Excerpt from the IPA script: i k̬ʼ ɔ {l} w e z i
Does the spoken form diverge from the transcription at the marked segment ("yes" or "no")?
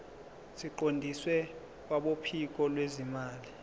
no